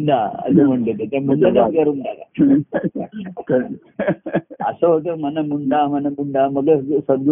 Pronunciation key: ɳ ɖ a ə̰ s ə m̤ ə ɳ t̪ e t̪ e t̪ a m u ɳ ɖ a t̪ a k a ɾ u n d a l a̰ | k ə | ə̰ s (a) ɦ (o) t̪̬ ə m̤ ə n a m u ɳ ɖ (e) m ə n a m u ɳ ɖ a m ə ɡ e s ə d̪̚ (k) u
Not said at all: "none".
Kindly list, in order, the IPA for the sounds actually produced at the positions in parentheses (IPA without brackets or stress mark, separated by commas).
ə, o, a, ɡ